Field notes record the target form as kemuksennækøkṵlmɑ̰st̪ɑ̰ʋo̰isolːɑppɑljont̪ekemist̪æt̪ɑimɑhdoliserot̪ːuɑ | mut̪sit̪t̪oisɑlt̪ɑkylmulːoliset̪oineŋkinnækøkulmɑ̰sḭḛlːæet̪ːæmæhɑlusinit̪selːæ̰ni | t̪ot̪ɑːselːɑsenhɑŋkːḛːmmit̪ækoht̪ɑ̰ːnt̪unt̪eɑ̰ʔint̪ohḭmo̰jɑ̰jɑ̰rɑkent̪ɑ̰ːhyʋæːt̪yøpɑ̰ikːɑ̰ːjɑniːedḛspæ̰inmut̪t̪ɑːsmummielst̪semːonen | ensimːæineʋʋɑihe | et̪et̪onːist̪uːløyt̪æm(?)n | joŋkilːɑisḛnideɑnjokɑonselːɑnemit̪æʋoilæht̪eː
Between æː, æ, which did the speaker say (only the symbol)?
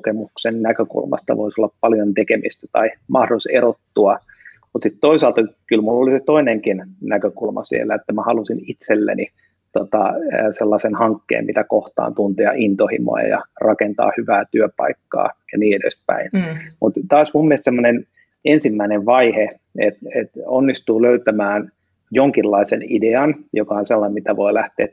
æː